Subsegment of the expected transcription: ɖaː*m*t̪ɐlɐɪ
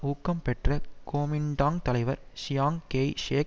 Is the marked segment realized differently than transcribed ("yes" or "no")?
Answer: yes